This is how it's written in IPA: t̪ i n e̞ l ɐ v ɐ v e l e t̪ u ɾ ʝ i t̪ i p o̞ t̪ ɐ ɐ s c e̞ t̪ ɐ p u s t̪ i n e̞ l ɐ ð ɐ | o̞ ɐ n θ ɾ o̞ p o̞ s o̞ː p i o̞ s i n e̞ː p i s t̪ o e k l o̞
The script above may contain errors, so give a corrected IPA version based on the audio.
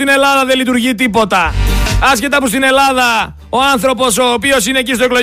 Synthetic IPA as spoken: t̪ i n e̞ l ɐ ð ɐ ð e l i t̪ u ɾ ʝ i t̪ i p o̞ t̪ ɐ ɐ s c e̞ t̪ ɐ p u s t̪ i n e̞ l ɐ ð ɐ | o̞ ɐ n θ ɾ o̞ p o̞ s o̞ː p i o̞ s i n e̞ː c i s t̪ o e k l o̞